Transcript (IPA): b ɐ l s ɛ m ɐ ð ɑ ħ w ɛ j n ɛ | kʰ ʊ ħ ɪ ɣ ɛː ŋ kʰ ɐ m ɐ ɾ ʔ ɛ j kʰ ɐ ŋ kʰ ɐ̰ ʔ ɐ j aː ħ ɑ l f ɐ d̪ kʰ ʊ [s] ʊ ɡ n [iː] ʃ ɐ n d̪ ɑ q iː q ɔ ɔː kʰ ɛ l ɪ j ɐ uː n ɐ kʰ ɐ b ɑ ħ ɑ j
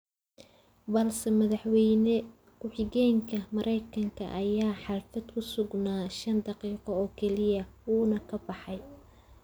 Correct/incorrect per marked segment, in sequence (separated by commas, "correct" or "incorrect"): correct, incorrect